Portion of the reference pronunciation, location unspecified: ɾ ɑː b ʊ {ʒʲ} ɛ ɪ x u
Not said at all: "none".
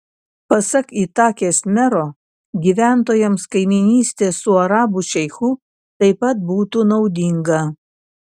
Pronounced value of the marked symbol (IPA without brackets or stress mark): ʃʲ